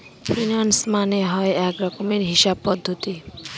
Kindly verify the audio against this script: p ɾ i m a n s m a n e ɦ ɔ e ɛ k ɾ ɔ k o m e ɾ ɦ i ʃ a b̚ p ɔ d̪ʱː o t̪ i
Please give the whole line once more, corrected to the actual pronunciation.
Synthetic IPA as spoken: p ɾ i n a n s m a n e ɦ ɔ e ɛ k ɾ ɔ k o m e ɾ ɦ i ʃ a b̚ p ɔ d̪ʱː o t̪ i